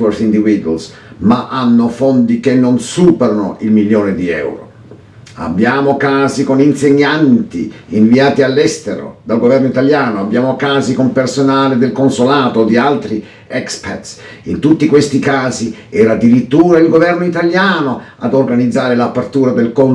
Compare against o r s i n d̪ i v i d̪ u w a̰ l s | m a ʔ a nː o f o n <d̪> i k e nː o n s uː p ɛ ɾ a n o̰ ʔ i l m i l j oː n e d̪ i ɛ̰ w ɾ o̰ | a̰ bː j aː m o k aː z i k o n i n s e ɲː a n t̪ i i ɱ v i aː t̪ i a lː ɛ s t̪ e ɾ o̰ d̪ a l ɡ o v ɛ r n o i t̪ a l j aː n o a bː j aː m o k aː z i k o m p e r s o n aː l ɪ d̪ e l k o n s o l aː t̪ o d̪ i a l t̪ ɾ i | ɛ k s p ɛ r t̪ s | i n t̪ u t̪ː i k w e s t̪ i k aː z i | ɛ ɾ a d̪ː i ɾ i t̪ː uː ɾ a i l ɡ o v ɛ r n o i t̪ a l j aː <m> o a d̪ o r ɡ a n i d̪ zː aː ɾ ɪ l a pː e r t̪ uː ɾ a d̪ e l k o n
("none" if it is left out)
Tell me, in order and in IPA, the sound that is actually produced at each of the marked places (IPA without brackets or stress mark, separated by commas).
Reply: d̪, n